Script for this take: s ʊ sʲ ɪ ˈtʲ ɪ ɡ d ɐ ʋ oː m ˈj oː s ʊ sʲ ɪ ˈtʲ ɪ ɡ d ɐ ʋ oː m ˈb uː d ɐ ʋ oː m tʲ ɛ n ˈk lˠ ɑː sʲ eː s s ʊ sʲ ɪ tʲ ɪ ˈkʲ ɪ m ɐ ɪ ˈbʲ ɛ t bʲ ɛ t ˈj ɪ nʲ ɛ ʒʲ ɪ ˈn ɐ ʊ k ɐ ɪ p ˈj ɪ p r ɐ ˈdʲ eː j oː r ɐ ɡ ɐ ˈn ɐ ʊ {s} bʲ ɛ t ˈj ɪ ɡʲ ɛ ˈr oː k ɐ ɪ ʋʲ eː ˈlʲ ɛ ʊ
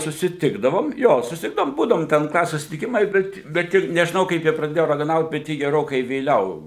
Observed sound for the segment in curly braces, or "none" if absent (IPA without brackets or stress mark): t